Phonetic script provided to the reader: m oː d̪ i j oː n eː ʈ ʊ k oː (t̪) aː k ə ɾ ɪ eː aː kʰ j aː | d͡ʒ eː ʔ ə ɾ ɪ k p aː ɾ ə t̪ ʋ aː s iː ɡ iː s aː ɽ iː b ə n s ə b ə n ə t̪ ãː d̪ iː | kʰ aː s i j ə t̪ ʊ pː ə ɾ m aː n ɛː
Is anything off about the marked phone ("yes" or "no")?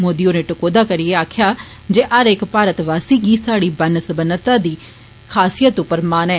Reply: yes